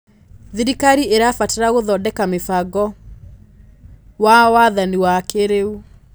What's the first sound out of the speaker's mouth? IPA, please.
ð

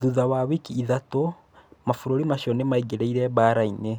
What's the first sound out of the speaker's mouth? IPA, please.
ð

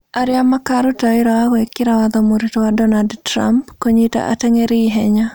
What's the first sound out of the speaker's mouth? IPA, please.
a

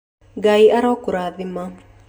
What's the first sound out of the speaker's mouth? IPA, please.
ɡ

